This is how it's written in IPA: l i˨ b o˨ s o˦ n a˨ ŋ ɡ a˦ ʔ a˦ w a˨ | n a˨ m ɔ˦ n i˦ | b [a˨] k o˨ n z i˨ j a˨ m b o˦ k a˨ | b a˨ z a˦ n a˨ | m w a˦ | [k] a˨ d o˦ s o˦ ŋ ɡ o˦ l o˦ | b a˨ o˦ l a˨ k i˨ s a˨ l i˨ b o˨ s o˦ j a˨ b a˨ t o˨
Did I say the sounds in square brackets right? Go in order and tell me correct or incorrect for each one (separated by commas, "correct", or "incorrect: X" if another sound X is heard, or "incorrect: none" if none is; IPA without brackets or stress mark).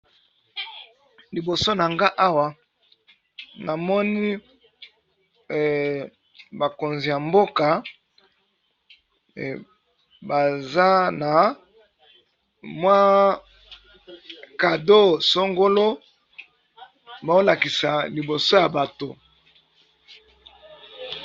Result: correct, correct